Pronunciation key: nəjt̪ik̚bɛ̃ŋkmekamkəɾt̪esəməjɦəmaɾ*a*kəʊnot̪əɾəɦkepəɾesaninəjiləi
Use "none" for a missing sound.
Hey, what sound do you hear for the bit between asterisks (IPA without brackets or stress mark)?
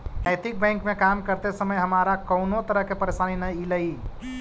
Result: a